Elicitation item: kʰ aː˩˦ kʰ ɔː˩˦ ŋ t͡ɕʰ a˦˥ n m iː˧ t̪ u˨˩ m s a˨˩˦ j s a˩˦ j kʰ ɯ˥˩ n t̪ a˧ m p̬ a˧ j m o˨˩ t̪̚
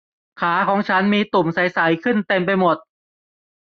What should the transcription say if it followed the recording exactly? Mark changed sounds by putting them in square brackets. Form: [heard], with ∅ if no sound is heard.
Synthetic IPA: kʰ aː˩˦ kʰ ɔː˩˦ ŋ t͡ɕʰ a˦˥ n m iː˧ t̪ u˨˩ m s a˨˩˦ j s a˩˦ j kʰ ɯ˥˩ n t̪ [e˧] m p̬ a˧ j m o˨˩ t̪̚